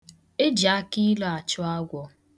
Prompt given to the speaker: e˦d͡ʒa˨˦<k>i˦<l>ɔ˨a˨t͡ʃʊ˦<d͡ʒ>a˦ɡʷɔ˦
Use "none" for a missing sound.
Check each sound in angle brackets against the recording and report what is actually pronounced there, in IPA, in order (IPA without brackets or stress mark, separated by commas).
k, l, none